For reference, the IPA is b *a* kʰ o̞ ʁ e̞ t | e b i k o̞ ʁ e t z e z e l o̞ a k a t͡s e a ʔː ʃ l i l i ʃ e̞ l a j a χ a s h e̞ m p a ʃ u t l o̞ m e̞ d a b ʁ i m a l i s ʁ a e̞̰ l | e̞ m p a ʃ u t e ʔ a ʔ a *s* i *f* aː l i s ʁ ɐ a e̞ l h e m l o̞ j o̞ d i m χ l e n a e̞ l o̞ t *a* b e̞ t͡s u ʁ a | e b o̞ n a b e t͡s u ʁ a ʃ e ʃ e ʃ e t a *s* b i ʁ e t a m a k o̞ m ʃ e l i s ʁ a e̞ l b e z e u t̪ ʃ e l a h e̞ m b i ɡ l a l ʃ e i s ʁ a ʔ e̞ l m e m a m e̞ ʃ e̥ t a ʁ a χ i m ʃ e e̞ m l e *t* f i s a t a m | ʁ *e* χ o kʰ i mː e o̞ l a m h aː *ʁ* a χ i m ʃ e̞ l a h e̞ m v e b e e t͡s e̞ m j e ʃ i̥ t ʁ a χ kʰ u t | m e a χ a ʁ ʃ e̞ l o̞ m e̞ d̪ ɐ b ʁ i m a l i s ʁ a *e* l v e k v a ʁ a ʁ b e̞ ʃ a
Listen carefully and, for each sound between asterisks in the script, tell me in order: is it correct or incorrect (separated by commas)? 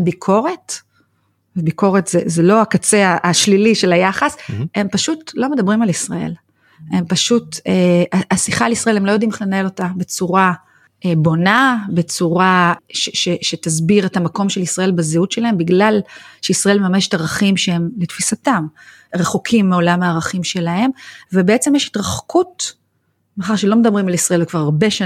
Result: incorrect, correct, incorrect, correct, incorrect, correct, correct, correct, correct